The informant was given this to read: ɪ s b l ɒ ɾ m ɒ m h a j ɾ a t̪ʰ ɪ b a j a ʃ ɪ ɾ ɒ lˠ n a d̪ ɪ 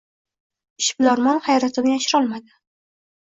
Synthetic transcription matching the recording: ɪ ʃ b l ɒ ɾ m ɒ n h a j ɾ a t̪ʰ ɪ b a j a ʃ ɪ ɾ ɒ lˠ m a d̪ ɪ